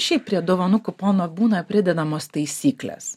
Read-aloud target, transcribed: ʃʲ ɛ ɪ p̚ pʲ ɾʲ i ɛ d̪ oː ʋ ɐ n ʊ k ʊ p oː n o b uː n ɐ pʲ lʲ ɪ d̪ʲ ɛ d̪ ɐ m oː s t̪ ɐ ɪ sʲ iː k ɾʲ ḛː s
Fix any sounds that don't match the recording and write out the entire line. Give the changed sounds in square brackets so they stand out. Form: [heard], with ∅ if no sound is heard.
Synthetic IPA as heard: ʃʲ ɛ ɪ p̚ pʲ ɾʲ i ɛ d̪ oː ʋ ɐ n ʊ k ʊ p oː n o b uː n ɐ pʲ [ɾʲ] ɪ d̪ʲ ɛ d̪ ɐ m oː s t̪ ɐ ɪ sʲ iː k [lʲ] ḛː s